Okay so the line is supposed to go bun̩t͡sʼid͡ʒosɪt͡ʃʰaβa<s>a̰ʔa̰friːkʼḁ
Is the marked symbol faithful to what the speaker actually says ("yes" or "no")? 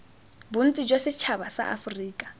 yes